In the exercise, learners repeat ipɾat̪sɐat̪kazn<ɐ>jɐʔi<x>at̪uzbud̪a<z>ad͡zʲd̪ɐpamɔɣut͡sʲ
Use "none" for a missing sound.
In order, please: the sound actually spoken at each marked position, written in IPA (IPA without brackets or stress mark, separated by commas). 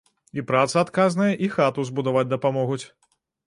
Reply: ɐ, x, v